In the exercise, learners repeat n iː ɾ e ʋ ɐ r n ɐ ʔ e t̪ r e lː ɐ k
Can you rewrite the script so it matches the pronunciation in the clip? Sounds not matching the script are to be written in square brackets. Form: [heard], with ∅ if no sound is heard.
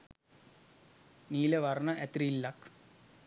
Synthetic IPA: n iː [l] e ʋ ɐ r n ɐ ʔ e t̪ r [i] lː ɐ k